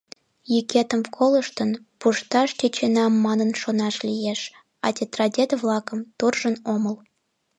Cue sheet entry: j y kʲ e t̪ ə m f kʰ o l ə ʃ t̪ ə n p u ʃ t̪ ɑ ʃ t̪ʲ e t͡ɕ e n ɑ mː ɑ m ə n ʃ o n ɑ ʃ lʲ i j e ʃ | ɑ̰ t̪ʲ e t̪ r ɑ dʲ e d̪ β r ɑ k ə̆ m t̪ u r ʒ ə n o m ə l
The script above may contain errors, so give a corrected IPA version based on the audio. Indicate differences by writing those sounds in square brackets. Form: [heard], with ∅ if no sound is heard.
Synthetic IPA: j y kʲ e t̪ ə m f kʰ o l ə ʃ t̪ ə n p u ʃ t̪ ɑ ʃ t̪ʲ e t͡ɕ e n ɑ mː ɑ [n] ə n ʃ o n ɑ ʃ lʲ i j e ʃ | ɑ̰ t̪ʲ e t̪ r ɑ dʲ e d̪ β [l] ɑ k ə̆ m t̪ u r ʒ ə n o m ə l